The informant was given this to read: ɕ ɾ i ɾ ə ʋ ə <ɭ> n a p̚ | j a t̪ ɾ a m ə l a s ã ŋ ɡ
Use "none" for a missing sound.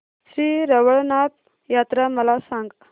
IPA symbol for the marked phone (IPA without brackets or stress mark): ɭ